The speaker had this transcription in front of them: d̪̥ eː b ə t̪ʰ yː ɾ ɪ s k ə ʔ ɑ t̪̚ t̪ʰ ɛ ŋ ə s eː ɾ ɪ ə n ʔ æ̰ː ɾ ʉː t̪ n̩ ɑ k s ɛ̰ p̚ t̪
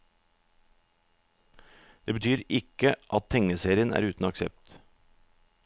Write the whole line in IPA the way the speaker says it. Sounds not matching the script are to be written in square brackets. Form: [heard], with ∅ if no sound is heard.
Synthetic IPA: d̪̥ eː b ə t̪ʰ yː ɾ ɪ [∅] k ə ʔ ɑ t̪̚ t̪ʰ ɛ ŋ ə s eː ɾ ɪ ə n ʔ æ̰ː ɾ ʉː t̪ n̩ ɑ k s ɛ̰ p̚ t̪